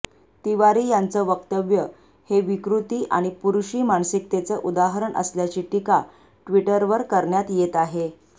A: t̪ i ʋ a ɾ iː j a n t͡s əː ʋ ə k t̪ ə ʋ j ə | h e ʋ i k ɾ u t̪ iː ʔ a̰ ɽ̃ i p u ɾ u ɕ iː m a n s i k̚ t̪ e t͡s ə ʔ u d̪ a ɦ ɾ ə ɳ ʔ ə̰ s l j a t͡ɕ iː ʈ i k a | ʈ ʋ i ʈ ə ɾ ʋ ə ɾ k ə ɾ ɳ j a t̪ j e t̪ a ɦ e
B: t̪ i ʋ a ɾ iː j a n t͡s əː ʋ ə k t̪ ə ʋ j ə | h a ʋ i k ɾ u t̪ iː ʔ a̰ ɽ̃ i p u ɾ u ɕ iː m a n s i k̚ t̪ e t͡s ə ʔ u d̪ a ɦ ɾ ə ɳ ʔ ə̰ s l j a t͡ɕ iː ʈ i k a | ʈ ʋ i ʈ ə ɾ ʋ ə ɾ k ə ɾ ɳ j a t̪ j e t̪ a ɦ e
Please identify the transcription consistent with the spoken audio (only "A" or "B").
A